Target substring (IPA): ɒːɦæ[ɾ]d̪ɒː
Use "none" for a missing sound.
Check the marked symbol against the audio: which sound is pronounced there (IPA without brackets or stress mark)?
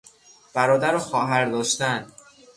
ɾ